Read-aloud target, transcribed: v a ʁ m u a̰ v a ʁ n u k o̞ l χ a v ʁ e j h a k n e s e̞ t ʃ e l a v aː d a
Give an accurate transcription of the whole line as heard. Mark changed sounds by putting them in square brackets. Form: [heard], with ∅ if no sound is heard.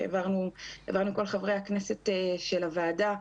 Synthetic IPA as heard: v a ʁ [n] u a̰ v a ʁ n u k o̞ l χ a v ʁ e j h a k n e s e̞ t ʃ e l a v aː d a

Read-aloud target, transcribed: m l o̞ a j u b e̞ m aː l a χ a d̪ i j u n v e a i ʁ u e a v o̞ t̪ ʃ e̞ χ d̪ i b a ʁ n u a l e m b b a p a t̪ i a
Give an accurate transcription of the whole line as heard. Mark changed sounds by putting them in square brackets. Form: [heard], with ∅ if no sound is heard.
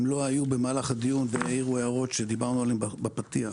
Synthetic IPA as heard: m l o̞ a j u b e̞ m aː l a χ a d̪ i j u n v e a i ʁ u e a [ʁ] o̞ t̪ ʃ e̞ [∅] d̪ i b a ʁ n u a l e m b b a p a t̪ i a

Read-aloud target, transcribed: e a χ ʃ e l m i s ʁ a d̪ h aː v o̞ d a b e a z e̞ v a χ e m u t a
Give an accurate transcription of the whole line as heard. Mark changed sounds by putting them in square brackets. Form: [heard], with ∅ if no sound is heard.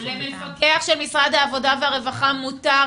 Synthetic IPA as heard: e a χ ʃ e l m i s ʁ a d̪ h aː v o̞ d a [v] e a [ʁ] e̞ v a χ [a] m u t a

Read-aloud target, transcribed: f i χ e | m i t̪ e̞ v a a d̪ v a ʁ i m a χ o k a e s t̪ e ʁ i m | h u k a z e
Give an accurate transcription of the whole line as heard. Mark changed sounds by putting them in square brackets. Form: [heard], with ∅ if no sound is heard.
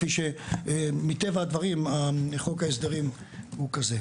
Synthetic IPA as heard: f i [ʃ] e | m i t̪ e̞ v a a d̪ v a ʁ i m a χ o k a e s [d̪] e ʁ i m | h u k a z e

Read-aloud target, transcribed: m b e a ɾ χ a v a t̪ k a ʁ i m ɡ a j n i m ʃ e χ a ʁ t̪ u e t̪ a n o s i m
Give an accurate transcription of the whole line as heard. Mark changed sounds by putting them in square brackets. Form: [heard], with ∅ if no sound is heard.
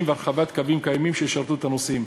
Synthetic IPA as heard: m [v] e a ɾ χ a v a t̪ k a [v] i m [k] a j [m] i m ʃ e [ʃ] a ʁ t̪ u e t̪ a n o s i m

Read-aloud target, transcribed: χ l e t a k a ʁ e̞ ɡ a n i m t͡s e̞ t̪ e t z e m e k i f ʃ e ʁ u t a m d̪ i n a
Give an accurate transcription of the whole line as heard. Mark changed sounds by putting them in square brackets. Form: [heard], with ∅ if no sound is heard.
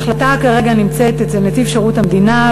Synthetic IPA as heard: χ l [a] t a k a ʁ e̞ ɡ a n i m t͡s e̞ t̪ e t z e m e [t] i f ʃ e ʁ u t a m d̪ i n a

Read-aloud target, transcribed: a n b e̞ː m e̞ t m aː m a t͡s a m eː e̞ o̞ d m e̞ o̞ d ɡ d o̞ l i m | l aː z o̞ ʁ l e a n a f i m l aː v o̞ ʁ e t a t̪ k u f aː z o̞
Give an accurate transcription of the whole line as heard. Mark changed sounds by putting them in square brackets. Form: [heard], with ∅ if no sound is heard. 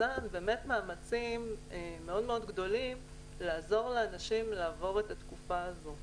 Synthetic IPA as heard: a n b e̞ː m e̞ t m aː m a t͡s [i] m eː e̞ o̞ d m e̞ o̞ d ɡ d o̞ l i m | l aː z o̞ ʁ l e a n a [ʃ] i m l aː v o̞ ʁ e t a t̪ k u f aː z o̞

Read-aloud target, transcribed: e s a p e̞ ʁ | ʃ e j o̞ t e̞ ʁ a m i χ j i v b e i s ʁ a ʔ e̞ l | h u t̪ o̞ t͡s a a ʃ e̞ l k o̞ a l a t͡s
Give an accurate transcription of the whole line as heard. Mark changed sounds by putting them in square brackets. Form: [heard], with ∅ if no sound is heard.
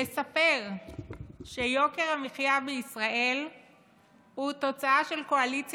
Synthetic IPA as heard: e s a p e̞ ʁ | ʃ e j o̞ [k] e̞ ʁ a m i χ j [a] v b e i s ʁ a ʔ e̞ l | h u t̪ o̞ t͡s a a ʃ e̞ l k o̞ a l [i] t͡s

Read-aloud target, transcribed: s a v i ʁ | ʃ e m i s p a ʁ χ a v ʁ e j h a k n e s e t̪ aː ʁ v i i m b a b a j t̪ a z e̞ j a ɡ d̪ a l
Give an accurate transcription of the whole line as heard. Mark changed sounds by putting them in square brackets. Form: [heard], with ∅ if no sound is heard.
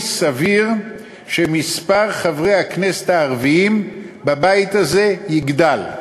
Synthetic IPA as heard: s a v i ʁ | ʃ e m i s p a ʁ χ a v ʁ e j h a k n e s e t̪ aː ʁ v i i m b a b a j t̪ a z e̞ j [i] ɡ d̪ a l

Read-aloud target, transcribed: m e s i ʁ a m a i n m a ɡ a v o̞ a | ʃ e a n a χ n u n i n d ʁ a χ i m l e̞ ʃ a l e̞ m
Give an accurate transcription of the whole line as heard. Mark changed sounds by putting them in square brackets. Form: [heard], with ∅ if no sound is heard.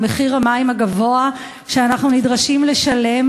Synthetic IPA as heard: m e [χ] i ʁ a m a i [∅] m a ɡ a v o̞ a | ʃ e a n a χ n u n i [∅] d ʁ a [ʃ] i m l e̞ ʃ a l e̞ m

